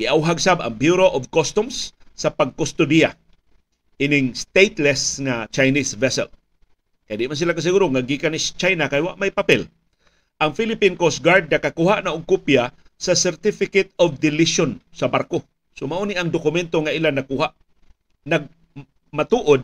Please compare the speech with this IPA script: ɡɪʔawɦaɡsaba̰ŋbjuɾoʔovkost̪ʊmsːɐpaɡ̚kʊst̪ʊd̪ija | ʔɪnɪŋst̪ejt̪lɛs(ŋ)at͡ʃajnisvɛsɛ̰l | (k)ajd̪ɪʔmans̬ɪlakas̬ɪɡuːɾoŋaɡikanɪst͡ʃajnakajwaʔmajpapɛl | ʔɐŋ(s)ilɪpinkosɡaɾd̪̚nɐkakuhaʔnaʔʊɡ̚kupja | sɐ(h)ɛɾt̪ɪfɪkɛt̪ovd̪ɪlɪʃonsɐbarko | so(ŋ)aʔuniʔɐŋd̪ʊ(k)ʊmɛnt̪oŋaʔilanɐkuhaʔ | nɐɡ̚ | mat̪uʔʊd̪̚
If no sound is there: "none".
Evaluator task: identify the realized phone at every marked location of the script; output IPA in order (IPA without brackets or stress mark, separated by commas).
ŋ, k, f, s, m, k